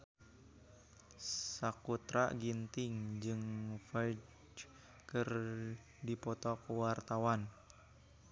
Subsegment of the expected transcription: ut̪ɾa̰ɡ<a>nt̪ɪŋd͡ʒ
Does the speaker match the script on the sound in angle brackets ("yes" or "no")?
no